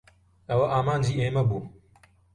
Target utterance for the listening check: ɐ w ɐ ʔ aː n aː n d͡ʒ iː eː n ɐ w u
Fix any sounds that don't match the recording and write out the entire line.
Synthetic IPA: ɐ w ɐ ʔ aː m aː n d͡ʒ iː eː m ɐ b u